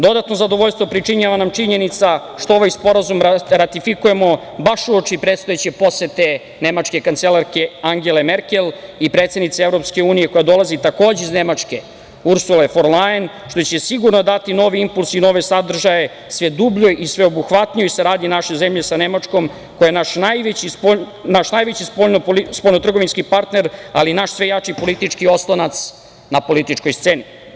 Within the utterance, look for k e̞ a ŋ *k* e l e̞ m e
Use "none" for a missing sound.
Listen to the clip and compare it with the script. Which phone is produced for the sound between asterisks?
ɡ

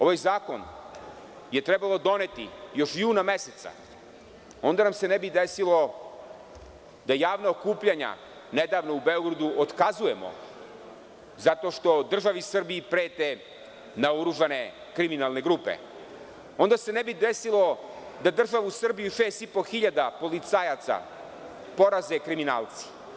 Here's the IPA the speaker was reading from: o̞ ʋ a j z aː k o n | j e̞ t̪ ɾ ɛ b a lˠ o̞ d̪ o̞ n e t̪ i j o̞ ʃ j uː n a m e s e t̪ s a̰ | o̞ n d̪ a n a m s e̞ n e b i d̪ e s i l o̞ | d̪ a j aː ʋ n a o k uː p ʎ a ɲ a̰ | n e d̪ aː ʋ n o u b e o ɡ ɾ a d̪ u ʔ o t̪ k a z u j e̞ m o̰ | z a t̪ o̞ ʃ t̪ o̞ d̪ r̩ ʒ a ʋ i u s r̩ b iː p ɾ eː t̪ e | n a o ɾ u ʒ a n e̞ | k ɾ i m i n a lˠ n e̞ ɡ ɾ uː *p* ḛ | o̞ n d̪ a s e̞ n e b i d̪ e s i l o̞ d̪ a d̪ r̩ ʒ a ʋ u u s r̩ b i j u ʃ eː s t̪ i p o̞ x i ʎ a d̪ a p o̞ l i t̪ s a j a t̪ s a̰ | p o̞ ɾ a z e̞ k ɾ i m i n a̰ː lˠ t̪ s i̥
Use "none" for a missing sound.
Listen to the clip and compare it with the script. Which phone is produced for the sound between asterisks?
p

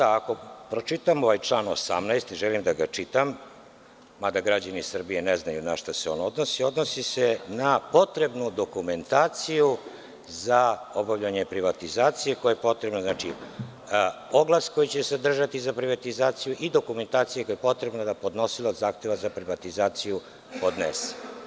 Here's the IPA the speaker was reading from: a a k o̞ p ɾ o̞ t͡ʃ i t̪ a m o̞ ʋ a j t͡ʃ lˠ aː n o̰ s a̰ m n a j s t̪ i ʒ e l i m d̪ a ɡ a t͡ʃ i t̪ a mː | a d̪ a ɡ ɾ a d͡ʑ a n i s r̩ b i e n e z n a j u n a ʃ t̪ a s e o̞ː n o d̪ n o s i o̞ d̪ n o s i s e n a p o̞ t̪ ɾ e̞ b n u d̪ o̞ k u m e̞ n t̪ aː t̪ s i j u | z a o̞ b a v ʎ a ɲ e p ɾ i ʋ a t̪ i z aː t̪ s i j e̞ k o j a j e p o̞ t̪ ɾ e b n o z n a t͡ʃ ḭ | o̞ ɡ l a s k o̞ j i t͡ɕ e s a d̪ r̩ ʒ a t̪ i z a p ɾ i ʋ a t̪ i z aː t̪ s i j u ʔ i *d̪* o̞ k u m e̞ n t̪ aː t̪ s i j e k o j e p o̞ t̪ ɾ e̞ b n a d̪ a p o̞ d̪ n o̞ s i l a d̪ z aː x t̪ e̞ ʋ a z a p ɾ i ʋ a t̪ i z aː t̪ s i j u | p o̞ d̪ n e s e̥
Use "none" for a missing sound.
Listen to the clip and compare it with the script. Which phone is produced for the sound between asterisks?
d̪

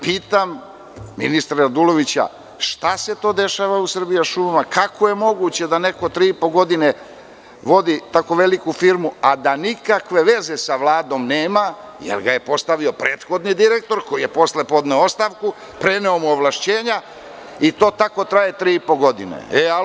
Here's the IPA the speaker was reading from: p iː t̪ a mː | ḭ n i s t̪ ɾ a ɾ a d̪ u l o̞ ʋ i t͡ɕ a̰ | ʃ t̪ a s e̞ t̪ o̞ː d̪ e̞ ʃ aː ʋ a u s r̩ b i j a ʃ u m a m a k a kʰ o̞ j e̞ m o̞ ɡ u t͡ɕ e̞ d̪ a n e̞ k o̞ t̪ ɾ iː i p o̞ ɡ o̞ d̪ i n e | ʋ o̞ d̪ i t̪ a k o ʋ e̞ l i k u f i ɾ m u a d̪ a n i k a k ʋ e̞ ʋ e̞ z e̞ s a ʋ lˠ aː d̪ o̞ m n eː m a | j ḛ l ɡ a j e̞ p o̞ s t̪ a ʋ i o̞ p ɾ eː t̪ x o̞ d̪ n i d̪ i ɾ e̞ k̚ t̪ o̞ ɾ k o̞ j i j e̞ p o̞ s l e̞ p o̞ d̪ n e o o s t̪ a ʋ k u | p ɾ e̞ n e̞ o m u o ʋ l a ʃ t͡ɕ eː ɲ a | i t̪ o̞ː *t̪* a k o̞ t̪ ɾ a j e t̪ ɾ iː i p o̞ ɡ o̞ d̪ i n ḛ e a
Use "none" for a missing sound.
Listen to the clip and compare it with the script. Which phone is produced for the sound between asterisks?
t̪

